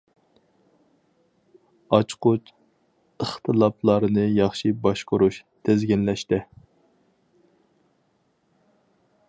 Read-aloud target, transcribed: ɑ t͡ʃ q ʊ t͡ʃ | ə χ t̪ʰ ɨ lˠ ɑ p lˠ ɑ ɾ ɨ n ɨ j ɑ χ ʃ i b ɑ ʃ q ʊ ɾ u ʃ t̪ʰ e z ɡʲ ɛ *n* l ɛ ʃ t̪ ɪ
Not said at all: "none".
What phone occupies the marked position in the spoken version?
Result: n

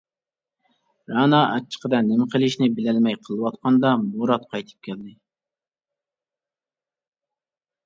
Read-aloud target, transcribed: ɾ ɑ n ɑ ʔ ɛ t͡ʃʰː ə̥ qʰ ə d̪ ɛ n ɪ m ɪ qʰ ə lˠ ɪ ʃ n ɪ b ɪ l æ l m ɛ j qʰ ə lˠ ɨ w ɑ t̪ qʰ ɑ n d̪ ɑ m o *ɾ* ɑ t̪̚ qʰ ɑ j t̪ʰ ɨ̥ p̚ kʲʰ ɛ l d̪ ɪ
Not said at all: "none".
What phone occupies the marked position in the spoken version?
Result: ɾ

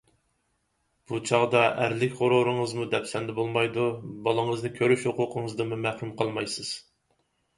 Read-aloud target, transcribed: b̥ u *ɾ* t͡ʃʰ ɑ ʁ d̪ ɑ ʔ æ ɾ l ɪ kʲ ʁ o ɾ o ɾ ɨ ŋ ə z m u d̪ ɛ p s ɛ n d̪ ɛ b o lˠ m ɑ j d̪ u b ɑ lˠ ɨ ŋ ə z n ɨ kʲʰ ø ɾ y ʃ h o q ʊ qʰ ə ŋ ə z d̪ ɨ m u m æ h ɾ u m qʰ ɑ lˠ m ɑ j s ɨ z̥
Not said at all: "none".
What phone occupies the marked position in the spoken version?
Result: none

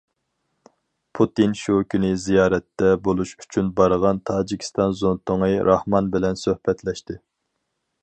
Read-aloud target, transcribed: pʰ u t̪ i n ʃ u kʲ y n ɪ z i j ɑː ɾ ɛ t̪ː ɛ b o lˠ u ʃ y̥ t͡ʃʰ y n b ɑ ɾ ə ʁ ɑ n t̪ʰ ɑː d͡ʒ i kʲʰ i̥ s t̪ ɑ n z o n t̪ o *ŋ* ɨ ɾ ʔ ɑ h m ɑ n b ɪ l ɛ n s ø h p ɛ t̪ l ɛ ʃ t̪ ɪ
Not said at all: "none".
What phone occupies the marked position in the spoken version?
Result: ŋ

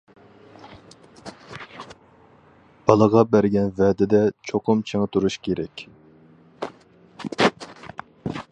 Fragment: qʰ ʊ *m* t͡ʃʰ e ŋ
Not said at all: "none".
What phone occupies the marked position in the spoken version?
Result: m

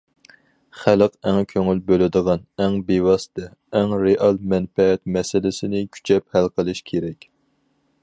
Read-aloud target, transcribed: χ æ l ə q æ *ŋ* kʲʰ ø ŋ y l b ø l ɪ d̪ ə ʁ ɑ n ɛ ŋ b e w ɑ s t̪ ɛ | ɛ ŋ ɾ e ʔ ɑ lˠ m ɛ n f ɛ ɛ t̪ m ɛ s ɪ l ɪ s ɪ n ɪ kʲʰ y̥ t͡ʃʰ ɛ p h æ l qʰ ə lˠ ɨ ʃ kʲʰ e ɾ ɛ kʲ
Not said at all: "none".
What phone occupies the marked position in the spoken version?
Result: ŋ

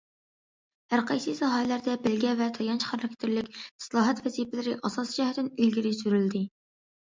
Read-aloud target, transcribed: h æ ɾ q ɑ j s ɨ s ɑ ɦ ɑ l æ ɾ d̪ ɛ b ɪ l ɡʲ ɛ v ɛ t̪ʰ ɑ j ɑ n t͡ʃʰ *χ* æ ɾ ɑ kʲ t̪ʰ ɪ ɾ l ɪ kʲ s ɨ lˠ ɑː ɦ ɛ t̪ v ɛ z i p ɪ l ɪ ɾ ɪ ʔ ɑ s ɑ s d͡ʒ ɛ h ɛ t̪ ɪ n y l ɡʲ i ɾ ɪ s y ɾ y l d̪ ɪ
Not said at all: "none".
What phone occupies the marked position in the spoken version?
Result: χ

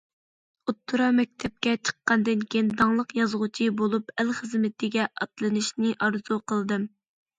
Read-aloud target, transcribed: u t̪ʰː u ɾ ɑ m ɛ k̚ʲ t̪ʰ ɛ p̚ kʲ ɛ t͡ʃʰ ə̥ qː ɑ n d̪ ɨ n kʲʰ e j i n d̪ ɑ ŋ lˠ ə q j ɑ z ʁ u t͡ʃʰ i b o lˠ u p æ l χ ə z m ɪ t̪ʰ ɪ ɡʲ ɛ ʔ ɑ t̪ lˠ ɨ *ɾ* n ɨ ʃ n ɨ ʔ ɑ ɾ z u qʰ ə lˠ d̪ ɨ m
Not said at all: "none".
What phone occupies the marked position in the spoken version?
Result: none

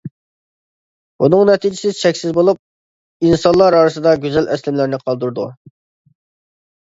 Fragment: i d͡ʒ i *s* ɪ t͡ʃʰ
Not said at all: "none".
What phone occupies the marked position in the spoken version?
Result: s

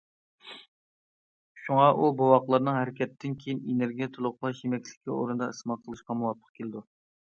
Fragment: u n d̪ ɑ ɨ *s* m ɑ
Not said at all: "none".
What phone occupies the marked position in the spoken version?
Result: s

